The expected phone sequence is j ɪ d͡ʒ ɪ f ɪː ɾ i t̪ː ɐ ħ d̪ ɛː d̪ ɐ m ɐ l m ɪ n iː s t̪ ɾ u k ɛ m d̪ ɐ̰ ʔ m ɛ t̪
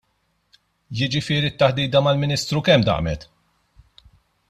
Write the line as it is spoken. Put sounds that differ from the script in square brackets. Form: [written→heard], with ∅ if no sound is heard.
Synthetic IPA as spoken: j ɪ d͡ʒ ɪ f ɪː ɾ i t̪ː ɐ ħ d̪ [ɛː→iː] d̪ ɐ m ɐ l m ɪ n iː s t̪ ɾ u k ɛ m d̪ ɐ̰ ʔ m ɛ t̪